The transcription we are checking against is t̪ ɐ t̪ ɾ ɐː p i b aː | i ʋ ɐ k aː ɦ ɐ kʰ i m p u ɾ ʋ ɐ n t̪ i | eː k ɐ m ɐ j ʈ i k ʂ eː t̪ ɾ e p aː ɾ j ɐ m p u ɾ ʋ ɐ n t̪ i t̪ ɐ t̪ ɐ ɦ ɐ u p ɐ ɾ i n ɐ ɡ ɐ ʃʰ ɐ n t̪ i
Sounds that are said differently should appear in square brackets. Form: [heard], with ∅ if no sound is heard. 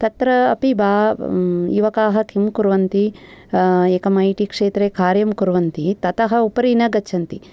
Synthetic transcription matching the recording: t̪ ɐ t̪ ɾ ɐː p i b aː | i ʋ ɐ k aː ɦ ɐ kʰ i m [k] u ɾ ʋ ɐ n t̪ i | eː k ɐ m ɐ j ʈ i k ʂ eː t̪ ɾ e [k] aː ɾ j ɐ m [k] u ɾ ʋ ɐ n t̪ i t̪ ɐ t̪ ɐ ɦ ɐ u p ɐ ɾ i n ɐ ɡ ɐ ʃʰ ɐ n t̪ i

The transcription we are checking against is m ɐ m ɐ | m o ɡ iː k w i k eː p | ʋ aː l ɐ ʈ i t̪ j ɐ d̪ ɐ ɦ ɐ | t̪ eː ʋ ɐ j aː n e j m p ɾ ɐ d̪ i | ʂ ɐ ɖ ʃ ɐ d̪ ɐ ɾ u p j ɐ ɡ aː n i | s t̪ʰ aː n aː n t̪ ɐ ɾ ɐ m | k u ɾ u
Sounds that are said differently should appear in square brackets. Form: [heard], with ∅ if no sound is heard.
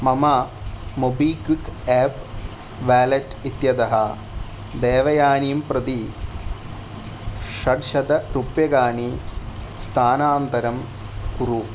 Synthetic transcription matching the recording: m ɐ m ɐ | m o [b] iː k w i k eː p | ʋ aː l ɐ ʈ i t̪ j ɐ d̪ ɐ ɦ ɐ | [d̪] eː ʋ ɐ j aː n [i] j m p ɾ ɐ d̪ i | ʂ ɐ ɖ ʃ ɐ d̪ ɐ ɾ u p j ɐ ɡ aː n i | s t̪ʰ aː n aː n t̪ ɐ ɾ ɐ m | k u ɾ u

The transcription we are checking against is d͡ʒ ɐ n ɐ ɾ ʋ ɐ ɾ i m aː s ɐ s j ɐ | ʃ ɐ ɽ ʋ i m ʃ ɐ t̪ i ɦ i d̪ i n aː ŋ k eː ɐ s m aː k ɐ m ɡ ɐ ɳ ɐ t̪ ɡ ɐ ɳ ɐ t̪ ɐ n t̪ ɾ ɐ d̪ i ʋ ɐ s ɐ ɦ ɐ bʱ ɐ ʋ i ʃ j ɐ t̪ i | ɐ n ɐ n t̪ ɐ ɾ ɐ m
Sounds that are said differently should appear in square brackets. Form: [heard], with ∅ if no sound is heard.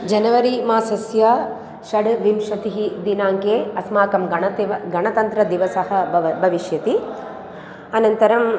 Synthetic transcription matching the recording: d͡ʒ ɐ n ɐ [∅] ʋ ɐ ɾ i m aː s ɐ s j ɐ | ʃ ɐ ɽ ʋ i m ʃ ɐ t̪ i ɦ i d̪ i n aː ŋ k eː ɐ s m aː k ɐ m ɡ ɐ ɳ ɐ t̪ ɡ ɐ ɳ ɐ t̪ ɐ n t̪ ɾ ɐ d̪ i ʋ ɐ s ɐ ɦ ɐ bʱ ɐ ʋ i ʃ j ɐ t̪ i | ɐ n ɐ n t̪ ɐ ɾ ɐ m

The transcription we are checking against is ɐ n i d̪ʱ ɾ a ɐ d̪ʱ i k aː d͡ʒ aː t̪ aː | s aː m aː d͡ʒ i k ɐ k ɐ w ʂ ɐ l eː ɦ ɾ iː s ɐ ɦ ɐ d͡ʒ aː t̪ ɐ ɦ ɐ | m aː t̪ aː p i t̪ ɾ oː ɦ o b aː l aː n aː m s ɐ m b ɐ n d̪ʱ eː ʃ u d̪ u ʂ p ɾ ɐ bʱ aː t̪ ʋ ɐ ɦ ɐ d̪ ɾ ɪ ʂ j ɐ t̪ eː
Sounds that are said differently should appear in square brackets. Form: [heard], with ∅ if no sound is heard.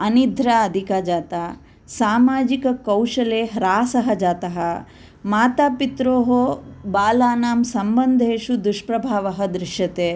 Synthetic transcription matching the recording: ɐ n i d̪ʱ ɾ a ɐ d̪ʱ i k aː d͡ʒ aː t̪ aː | s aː m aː d͡ʒ i k ɐ k ɐ w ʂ ɐ l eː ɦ ɾ [aː] s ɐ ɦ ɐ d͡ʒ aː t̪ ɐ ɦ ɐ | m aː t̪ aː p i t̪ ɾ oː ɦ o b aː l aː n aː m s ɐ m b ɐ n d̪ʱ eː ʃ u d̪ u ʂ p ɾ ɐ bʱ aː [∅] ʋ ɐ ɦ ɐ d̪ ɾ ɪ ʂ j ɐ t̪ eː

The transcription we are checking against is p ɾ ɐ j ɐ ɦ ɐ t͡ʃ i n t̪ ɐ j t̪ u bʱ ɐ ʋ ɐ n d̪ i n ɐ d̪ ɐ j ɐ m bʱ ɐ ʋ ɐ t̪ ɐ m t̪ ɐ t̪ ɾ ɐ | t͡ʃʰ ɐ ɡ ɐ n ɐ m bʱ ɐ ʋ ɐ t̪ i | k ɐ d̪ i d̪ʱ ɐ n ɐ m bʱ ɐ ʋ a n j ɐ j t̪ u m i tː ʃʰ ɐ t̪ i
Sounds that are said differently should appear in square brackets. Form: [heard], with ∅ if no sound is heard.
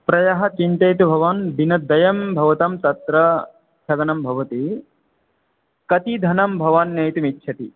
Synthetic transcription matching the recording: p ɾ ɐ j ɐ ɦ ɐ t͡ʃ i n t̪ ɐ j t̪ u bʱ ɐ ʋ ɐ n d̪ i n ɐ d̪ ɐ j ɐ m bʱ ɐ ʋ ɐ t̪ ɐ m t̪ ɐ t̪ ɾ ɐ | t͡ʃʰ ɐ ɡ ɐ n ɐ m bʱ ɐ ʋ ɐ t̪ i | k ɐ [t̪] i d̪ʱ ɐ n ɐ m bʱ ɐ ʋ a n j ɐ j t̪ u m i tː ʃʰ ɐ t̪ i

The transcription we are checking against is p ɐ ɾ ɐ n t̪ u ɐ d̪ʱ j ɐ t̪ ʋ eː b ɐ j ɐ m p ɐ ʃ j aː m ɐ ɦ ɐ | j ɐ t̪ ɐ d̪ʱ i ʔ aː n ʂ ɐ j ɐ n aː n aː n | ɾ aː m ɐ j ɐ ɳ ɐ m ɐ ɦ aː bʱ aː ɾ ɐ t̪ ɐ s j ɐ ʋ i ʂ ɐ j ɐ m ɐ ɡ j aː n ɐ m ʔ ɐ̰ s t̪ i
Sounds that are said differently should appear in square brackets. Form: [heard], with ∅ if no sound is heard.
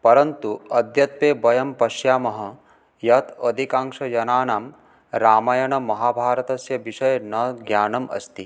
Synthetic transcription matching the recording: p ɐ ɾ ɐ n t̪ u ɐ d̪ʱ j ɐ t̪ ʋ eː b ɐ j ɐ m p ɐ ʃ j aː m ɐ ɦ ɐ | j ɐ t̪ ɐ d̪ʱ i [k] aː [ŋ] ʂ ɐ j ɐ n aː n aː [m] | ɾ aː m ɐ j ɐ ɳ ɐ m ɐ ɦ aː bʱ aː ɾ ɐ t̪ ɐ s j ɐ ʋ i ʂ ɐ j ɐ [n] ɐ ɡ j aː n ɐ m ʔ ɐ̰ s t̪ i

